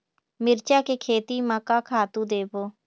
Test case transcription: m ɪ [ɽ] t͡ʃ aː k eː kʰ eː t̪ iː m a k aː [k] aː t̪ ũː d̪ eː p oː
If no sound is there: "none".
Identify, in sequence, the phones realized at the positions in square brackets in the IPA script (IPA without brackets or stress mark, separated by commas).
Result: ɾ, kʰ